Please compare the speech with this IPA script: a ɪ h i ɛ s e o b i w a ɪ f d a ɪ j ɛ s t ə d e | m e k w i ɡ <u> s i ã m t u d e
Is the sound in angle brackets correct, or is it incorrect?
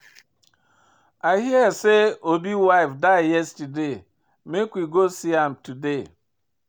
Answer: incorrect